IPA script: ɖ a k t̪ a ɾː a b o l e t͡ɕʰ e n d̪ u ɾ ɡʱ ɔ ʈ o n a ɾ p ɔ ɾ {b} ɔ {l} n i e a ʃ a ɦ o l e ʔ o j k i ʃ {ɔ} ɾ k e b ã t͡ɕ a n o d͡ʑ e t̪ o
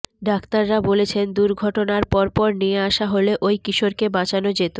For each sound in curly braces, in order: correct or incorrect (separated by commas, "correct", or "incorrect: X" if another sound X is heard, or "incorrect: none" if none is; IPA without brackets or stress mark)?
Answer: incorrect: p, incorrect: ɾ, incorrect: o